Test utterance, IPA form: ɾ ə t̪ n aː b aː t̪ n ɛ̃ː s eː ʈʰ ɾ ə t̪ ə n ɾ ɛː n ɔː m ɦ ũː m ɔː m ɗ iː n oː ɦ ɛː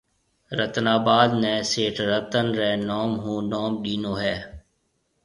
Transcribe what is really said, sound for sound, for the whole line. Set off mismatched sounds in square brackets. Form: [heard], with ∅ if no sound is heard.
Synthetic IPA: ɾ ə t̪ n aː b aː [d̪] n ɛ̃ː s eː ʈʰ ɾ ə t̪ ə n ɾ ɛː n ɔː m ɦ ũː [n] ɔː m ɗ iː n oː ɦ ɛː